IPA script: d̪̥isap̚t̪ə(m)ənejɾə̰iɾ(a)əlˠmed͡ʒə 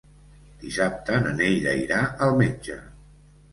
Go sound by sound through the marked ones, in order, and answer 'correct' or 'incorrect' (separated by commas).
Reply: incorrect, correct